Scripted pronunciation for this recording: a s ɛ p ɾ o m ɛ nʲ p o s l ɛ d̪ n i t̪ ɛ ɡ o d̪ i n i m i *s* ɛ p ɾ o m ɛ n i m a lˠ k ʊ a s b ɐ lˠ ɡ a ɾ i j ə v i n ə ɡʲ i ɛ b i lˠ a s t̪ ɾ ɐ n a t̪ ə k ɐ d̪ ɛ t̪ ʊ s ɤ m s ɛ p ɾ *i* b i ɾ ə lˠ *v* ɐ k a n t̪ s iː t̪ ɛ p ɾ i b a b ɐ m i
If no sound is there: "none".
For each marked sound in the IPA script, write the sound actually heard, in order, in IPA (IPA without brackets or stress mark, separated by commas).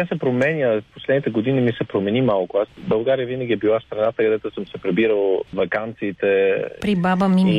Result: s, ɛ, v